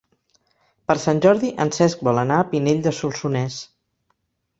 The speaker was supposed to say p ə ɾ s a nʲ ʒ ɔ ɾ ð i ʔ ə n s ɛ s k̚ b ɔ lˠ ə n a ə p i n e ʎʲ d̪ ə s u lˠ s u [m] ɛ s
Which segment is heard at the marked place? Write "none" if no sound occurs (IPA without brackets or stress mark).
n